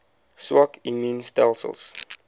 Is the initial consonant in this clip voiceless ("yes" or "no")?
yes